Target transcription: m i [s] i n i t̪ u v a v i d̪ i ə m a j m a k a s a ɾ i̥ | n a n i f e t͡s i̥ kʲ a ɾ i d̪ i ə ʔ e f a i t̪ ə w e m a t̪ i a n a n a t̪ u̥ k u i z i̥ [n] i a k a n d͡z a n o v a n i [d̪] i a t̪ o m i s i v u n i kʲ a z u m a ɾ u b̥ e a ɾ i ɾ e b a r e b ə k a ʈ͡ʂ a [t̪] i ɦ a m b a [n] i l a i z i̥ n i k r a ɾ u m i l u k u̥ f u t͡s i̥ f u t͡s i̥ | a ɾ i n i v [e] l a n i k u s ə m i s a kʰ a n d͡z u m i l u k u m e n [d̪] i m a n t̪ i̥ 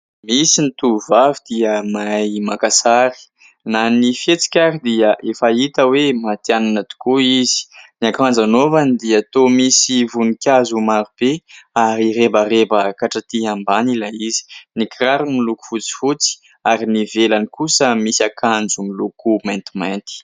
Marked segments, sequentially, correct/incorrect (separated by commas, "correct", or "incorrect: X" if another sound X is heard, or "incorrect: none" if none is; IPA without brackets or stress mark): correct, correct, correct, correct, correct, correct, incorrect: t̪